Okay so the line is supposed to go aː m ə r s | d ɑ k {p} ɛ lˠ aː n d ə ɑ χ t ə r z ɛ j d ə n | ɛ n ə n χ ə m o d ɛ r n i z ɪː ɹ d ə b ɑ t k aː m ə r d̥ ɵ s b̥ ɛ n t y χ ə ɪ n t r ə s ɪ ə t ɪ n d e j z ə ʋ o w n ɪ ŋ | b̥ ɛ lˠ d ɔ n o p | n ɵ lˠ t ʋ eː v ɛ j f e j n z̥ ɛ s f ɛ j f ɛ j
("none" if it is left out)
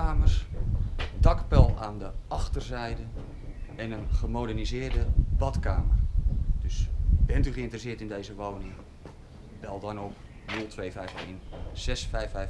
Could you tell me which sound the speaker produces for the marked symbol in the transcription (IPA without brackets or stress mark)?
p